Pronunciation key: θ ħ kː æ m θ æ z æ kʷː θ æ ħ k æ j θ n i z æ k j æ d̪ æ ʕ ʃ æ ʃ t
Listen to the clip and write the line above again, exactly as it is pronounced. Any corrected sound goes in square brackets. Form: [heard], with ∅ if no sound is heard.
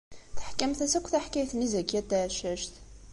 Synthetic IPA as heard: θ ħ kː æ m θ æ [s] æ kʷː θ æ ħ k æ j θ n i z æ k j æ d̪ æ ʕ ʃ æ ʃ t